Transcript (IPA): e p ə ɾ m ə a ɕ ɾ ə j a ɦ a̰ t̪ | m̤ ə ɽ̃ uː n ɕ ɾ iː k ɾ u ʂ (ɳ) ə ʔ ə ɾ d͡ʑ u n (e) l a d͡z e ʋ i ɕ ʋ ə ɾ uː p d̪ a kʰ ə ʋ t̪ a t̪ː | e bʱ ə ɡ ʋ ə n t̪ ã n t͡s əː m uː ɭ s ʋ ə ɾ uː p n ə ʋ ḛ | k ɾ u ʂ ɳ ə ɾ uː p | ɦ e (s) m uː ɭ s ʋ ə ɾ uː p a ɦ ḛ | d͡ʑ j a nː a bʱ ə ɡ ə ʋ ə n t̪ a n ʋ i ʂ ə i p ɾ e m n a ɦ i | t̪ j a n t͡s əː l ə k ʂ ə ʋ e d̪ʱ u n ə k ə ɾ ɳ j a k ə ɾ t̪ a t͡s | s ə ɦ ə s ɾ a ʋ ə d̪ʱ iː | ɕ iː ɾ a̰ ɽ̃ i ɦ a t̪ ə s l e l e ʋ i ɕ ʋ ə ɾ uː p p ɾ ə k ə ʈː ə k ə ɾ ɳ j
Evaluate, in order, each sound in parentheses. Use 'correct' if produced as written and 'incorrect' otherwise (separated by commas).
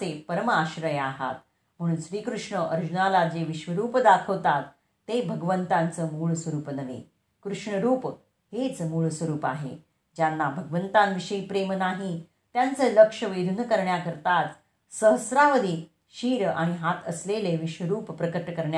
correct, incorrect, incorrect